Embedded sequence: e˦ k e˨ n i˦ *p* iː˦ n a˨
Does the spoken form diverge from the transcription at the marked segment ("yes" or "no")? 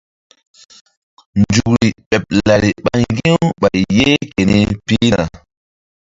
no